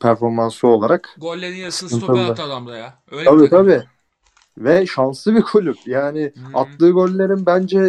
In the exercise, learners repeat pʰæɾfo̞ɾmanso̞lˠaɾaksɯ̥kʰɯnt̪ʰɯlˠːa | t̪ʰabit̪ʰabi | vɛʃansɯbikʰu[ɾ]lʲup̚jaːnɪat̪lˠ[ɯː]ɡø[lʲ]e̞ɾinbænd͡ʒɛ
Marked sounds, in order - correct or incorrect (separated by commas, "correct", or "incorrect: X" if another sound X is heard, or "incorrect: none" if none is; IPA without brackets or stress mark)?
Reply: incorrect: none, correct, incorrect: lʲː